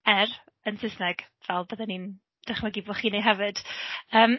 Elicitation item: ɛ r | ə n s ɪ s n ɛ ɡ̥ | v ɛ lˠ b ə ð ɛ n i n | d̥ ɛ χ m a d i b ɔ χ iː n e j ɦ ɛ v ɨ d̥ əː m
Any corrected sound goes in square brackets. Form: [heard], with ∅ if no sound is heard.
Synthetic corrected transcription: ɛ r | ə n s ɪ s n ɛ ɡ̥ | v ɛ lˠ b ə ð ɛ n i n | d̥ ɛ χ m a [ɡ] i b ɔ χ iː n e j ɦ ɛ v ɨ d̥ əː m